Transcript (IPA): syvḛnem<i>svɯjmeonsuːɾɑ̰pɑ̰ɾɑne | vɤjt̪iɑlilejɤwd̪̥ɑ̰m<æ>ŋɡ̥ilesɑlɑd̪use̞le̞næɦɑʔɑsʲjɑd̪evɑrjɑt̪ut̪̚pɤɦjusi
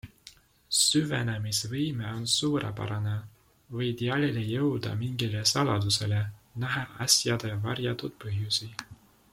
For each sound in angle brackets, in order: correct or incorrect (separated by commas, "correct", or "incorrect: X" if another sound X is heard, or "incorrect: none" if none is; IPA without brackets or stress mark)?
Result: correct, incorrect: i